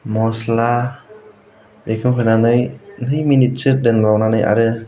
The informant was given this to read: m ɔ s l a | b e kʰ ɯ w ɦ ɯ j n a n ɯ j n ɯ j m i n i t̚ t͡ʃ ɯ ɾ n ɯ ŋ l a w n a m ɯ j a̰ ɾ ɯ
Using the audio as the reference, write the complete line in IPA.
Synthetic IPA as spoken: m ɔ s l a | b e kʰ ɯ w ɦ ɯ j n a n ɯ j n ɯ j m i n i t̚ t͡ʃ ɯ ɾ d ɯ n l a w n a n ɯ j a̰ ɾ ɯ